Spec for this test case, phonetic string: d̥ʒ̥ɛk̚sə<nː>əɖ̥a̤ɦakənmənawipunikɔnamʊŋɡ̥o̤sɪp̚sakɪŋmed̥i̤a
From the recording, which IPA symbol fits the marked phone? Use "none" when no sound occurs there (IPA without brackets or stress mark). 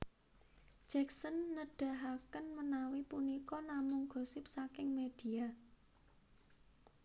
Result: nː